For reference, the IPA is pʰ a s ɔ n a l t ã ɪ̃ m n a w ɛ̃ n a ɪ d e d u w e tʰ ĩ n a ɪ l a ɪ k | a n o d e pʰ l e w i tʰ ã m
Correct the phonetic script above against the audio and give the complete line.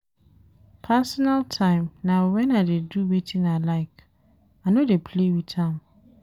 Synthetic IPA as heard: pʰ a s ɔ n a l tʰ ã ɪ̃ m n a w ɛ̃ n a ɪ d e d u w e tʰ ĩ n a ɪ l a ɪ k | a n o d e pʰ l e w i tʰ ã m